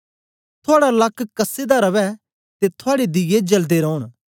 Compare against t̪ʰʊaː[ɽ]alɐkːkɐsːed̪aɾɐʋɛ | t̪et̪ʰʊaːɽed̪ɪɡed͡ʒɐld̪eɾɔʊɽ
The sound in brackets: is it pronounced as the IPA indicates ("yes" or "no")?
yes